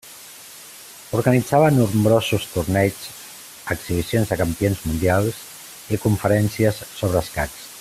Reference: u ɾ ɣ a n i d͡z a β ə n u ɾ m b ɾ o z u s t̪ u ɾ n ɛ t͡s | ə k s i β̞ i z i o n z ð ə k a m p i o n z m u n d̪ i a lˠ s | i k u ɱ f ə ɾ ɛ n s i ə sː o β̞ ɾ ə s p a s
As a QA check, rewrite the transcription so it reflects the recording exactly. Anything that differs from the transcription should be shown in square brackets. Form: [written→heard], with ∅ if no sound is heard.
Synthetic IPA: u ɾ ɣ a n i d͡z a β ə n u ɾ m b ɾ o z u s t̪ u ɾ n ɛ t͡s | ə k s i β̞ i [z→s] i o n z ð ə k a m p i o n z m u n d̪ i a lˠ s | i k u ɱ f ə ɾ ɛ n s i ə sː o β̞ ɾ ə s [p→k] a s